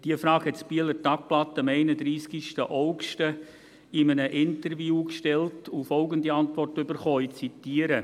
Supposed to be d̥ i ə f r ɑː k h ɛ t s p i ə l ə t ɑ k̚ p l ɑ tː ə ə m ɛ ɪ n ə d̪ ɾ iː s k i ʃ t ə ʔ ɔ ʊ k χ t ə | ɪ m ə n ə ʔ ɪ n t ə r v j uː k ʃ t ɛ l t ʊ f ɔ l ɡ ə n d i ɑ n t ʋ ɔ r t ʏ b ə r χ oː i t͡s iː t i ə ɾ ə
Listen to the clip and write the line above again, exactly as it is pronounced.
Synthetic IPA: d̥ i ə f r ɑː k h ɛ t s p i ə l ə t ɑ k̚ p l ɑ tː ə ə m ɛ ɪ n ə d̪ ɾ iː s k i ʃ t ə ʔ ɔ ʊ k ʃ t ə | ɪ m ə n ə ʔ ɪ n t ə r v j uː k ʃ t ɛ l t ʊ f ɔ l ɡ ə n d i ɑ n t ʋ ɔ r t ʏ b ə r χ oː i t͡s i t i ə ɾ ə